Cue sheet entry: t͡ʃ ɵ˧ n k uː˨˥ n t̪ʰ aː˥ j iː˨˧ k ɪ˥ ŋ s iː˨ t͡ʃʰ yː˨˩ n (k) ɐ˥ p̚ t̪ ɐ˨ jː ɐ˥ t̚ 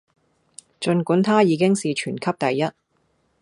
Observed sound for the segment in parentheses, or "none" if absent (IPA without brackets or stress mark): kʰ